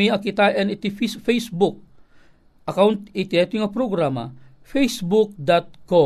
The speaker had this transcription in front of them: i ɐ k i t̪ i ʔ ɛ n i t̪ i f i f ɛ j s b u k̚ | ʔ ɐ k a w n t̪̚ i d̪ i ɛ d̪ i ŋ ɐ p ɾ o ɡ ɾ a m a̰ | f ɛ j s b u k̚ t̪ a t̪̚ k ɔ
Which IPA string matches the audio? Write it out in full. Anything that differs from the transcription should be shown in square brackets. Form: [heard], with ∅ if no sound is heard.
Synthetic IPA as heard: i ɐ k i t̪ [a] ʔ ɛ n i t̪ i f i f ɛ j s b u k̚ | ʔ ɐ k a w n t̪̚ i [t̪] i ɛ [t̪] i ŋ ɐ p ɾ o ɡ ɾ a m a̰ | f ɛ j s b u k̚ [d̪] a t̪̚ k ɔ